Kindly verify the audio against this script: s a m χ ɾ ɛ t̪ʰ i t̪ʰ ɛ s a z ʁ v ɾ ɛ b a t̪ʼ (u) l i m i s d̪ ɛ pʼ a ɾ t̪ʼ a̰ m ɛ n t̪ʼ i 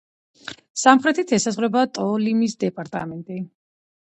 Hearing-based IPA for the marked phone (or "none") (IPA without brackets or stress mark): ɔ